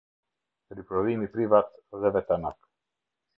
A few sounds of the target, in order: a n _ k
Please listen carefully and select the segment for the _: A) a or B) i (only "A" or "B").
A